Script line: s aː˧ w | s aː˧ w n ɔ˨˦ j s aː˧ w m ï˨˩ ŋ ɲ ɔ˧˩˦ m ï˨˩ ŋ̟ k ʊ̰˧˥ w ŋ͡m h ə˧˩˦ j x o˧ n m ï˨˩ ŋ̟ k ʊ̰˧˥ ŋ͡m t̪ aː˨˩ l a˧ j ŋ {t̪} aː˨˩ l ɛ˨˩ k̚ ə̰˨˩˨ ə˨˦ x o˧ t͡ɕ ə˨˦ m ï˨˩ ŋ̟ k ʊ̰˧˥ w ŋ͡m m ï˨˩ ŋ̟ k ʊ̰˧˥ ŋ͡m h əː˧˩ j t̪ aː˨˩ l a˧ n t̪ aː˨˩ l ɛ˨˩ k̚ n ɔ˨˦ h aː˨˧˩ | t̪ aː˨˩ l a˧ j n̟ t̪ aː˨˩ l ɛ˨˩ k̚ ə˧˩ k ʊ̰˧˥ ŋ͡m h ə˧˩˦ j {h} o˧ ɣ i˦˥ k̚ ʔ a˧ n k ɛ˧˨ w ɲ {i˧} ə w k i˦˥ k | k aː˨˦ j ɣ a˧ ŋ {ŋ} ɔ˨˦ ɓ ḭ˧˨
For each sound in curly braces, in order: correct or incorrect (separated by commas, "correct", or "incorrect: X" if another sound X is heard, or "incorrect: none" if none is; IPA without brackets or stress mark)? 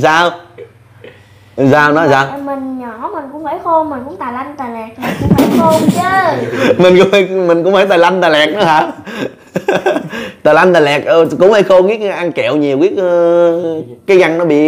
correct, incorrect: x, incorrect: i˨˩, incorrect: n